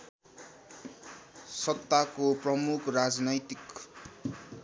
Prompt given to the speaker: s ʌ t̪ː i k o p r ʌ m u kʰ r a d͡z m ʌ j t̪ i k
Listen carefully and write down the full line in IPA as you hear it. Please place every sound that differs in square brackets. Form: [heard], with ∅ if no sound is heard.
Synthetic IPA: s ʌ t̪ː [a] k o p r ʌ m u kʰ r a d͡z [n] ʌ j t̪ i k